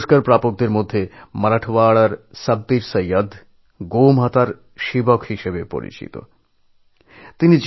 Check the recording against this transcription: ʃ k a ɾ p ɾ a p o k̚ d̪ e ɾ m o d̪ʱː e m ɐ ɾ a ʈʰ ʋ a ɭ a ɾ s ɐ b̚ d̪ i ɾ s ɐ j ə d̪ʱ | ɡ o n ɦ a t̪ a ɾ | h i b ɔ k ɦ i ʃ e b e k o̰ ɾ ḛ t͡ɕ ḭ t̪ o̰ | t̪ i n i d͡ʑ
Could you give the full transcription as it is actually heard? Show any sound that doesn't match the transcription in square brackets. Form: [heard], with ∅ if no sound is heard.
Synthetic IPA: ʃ k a ɾ p ɾ a p o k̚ d̪ e ɾ m o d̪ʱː e m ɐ ɾ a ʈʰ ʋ a ɭ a ɾ s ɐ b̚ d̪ i ɾ s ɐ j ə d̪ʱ | ɡ o [m] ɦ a t̪ a ɾ | [ʃ] i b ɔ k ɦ i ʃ e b e [p] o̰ ɾ [ḭ] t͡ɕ ḭ t̪ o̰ | t̪ i n i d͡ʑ